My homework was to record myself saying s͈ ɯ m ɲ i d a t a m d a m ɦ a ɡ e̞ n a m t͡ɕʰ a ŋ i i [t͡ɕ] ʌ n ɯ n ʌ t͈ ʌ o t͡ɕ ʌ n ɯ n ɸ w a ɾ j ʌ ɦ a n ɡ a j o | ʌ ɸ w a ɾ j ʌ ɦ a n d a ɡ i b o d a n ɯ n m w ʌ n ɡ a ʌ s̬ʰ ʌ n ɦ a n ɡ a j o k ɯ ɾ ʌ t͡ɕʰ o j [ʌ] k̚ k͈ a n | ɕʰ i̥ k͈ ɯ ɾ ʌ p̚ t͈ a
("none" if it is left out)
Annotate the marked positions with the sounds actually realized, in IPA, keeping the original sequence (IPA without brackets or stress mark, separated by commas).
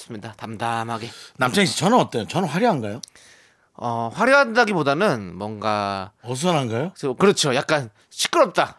t͡ɕ, a